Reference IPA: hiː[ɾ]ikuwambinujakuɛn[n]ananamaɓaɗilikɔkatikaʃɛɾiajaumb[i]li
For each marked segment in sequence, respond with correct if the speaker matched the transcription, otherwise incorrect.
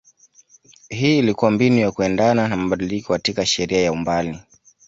incorrect: l, incorrect: d, incorrect: a

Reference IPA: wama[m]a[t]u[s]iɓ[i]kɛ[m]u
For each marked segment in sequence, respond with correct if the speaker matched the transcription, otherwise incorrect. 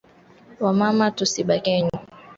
correct, correct, correct, incorrect: a, incorrect: ɲ

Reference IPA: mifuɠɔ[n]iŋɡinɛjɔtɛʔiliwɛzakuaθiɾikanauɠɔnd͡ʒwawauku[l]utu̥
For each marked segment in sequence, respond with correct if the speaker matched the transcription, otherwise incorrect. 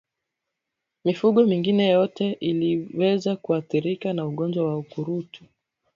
incorrect: m, incorrect: ɾ

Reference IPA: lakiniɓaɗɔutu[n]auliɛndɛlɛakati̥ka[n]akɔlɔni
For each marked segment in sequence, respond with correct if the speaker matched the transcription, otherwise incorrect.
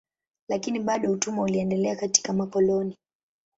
incorrect: m, incorrect: m

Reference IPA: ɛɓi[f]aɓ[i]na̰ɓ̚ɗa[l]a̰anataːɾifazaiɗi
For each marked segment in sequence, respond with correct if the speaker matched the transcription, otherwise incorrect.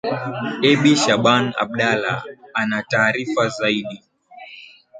incorrect: ʃ, incorrect: a, correct

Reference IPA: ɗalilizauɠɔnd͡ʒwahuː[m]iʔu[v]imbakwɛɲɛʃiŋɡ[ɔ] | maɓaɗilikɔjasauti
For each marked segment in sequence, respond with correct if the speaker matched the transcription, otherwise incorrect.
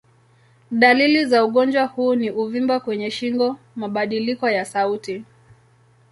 incorrect: n, correct, correct

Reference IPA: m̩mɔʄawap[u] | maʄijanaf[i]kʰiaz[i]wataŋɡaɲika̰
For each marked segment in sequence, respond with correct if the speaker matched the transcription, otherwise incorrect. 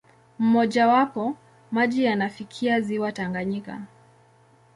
incorrect: ɔ, correct, correct

